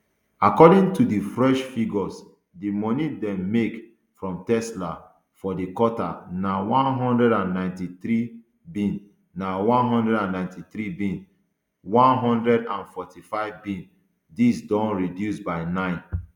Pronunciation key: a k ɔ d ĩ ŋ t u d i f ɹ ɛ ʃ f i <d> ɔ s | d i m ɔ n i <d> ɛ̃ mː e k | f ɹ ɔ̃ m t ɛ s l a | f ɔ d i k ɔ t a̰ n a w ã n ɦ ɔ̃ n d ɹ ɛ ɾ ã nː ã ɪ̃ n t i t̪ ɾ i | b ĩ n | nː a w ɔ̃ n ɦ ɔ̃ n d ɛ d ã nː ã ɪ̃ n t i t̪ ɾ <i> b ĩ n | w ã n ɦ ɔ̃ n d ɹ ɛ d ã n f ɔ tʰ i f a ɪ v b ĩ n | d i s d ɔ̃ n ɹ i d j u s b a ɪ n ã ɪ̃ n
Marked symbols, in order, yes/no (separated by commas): no, yes, yes